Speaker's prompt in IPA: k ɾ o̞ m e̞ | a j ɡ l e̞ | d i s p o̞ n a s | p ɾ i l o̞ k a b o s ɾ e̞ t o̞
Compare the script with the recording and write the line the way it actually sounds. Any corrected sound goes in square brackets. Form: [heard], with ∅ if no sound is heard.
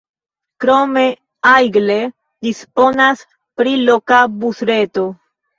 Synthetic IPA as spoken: k ɾ o̞ m e̞ | a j ɡ l e̞ | d i s p o̞ n a s | p ɾ i l o̞ k a b [u] s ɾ e̞ t o̞